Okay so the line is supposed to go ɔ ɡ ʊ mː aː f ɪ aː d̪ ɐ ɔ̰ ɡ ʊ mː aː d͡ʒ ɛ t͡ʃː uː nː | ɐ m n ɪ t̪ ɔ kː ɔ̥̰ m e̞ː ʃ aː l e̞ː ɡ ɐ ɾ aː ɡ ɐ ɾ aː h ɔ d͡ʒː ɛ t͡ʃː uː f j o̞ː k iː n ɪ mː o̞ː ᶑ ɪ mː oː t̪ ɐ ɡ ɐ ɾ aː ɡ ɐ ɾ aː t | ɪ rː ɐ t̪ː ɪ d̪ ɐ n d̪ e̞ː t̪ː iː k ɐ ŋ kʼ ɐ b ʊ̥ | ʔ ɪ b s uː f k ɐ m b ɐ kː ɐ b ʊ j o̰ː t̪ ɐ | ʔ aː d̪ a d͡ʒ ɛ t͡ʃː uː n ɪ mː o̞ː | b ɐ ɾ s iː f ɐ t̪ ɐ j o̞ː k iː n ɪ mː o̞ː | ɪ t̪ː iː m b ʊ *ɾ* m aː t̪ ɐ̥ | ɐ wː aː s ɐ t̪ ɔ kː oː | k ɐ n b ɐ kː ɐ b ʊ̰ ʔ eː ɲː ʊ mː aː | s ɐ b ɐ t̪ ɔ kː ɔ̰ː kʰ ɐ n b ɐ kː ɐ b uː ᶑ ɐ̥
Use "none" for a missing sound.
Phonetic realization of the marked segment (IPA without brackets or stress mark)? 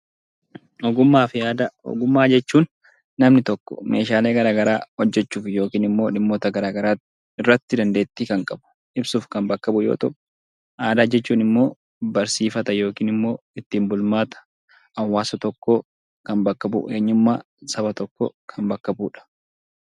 l